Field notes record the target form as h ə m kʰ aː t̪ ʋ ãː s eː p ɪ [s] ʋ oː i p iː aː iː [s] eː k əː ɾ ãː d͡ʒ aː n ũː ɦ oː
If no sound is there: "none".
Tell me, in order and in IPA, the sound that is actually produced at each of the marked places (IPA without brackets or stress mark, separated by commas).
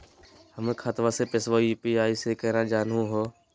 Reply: s, s